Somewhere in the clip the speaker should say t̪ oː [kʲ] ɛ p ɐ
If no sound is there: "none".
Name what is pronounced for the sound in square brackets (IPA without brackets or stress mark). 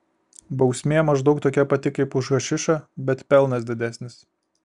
kʲ